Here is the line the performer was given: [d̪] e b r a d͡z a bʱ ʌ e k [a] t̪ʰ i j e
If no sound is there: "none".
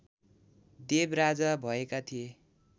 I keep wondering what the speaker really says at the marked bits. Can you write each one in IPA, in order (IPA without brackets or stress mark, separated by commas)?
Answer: d̪, a